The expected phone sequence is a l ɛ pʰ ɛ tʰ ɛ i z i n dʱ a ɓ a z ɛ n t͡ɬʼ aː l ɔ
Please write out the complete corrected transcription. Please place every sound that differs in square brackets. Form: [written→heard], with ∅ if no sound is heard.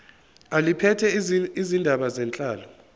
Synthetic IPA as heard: a l [ɛ→i] pʰ ɛ tʰ ɛ i z i n dʱ a ɓ a z ɛ n t͡ɬʼ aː l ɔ